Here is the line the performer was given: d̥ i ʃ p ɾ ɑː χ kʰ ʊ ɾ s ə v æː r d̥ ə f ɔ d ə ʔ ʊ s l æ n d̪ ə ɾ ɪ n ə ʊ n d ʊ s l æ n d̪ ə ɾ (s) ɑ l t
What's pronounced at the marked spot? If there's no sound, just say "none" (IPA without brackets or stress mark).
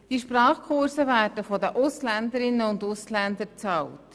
t͡s